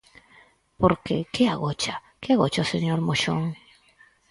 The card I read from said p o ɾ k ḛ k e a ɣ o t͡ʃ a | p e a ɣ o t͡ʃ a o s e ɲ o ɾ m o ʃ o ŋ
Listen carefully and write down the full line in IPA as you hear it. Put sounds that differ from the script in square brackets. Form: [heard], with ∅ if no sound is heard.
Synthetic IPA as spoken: p o ɾ k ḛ k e a ɣ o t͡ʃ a | [k] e a ɣ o t͡ʃ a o s e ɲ o ɾ m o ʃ o ŋ